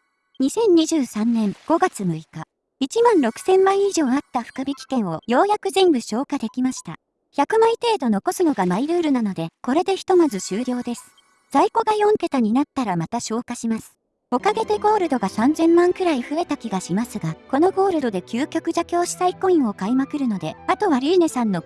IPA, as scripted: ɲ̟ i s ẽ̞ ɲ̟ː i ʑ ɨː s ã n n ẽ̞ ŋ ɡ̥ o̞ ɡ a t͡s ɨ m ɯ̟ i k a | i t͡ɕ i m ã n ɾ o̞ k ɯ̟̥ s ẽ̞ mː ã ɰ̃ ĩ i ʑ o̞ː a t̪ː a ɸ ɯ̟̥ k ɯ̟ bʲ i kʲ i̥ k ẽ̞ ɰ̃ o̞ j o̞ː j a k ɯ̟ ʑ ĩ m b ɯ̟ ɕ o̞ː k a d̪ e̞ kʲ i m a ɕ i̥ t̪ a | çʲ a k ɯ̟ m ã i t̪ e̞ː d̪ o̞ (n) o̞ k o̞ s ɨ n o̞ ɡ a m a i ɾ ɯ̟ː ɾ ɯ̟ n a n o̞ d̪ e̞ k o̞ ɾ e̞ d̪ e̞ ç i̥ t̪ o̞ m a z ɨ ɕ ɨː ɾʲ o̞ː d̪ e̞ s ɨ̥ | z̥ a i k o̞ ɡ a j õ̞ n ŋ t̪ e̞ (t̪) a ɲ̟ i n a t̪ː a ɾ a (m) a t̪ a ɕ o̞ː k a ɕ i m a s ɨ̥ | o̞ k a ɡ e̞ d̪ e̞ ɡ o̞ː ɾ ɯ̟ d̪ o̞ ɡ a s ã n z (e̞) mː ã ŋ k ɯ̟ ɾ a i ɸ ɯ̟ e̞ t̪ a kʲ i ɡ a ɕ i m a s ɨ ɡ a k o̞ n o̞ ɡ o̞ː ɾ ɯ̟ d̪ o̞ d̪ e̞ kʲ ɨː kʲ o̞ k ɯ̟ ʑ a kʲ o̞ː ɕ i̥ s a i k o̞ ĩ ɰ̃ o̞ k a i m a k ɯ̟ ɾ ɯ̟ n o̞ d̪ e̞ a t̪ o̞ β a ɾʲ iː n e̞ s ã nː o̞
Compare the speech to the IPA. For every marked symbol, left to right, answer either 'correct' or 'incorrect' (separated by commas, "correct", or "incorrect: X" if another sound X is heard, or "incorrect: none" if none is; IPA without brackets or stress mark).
correct, correct, correct, incorrect: ẽ̞